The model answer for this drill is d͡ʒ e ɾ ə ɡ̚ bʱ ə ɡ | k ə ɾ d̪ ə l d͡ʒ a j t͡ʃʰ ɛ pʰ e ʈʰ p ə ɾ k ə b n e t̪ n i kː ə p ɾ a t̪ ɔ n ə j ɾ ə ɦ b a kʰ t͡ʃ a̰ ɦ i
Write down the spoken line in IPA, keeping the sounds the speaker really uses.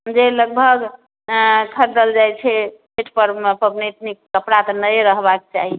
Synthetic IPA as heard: d͡ʒ e l ə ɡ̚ bʱ ə ɡ | kʰ ə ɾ d̪ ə l d͡ʒ a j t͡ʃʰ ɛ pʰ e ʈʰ p ə ɾ p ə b n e t̪ n i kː ə p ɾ a t̪ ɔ n ə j ɾ ə ɦ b a k t͡ʃ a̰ ɦ i